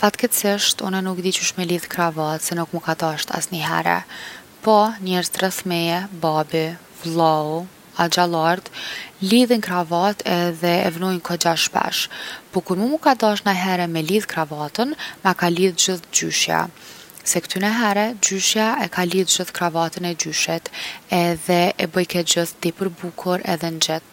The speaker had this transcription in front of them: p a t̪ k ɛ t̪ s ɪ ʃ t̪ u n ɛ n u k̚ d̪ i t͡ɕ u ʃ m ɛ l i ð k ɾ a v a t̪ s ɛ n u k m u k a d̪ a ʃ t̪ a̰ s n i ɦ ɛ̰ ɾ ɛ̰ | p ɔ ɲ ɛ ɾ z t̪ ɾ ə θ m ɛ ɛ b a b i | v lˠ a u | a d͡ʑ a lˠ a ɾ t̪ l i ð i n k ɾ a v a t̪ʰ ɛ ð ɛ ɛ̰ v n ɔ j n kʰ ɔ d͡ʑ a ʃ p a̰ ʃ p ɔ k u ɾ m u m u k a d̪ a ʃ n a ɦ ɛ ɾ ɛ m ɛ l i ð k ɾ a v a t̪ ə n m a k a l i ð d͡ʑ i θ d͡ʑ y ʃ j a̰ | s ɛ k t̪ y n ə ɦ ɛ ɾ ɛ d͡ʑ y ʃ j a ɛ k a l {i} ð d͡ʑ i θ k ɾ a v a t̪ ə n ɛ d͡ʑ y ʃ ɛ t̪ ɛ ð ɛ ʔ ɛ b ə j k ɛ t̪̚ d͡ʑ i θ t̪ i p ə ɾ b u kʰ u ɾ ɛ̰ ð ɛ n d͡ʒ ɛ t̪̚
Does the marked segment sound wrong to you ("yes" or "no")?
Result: no